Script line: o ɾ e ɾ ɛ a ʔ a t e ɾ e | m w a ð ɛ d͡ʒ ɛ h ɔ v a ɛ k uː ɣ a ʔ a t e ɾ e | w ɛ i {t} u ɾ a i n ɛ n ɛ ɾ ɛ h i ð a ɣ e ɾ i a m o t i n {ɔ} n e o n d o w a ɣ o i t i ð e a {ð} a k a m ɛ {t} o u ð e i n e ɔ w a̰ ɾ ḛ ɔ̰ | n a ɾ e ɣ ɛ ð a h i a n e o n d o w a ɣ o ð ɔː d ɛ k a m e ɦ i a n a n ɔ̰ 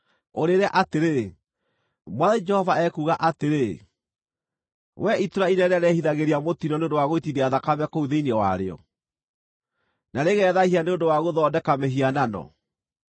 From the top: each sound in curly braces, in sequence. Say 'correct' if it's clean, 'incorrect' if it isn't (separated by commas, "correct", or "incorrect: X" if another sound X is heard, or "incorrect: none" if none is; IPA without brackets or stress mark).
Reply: correct, correct, correct, incorrect: k